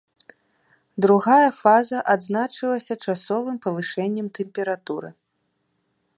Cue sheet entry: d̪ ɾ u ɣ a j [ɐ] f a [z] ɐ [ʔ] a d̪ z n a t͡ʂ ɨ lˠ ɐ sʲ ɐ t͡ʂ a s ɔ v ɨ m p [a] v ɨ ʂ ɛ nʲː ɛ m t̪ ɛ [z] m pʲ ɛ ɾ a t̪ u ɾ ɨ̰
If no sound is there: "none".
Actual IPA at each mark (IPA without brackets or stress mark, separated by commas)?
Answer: ɐ, z, ʔ, ɐ, none